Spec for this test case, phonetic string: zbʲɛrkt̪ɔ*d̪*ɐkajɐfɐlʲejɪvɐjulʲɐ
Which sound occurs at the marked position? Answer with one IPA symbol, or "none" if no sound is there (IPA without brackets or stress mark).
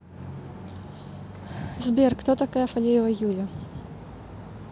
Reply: t̪